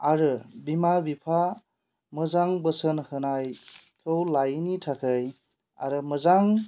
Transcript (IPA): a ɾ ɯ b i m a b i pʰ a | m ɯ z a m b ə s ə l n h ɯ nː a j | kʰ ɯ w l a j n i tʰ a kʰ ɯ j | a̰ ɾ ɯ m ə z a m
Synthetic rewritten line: a ɾ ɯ b i m a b i pʰ a | m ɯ z a ŋ b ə s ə n h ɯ n a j | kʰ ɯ w l a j n i tʰ a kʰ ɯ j | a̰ ɾ ɯ m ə z a ŋ

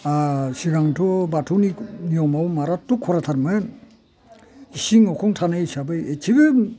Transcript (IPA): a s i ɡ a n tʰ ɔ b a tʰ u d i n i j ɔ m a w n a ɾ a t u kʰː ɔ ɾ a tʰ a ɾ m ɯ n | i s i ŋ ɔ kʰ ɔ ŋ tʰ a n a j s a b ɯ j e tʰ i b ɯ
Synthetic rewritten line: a s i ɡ a ŋ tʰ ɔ b a tʰ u n i n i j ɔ m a w m a ɾ a t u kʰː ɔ ɾ a tʰ a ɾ m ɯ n | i s i ŋ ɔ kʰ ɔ ŋ tʰ a n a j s a b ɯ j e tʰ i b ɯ

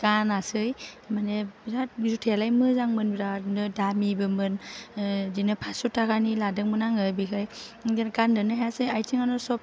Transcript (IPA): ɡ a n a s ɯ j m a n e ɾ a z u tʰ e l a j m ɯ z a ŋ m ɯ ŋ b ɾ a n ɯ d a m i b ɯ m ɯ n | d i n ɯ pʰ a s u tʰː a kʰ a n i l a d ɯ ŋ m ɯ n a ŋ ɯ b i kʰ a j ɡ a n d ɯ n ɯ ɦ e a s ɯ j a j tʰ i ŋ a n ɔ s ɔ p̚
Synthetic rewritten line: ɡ a n a s ɯ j m a n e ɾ a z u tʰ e l a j m ɯ z a ŋ m ɯ n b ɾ a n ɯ d a m i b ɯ m ɯ n | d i n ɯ pʰ a s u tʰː a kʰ a n i l a d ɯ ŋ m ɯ n a ŋ ɯ b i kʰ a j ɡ a n d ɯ n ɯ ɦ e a s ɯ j a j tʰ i ŋ a n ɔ s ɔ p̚

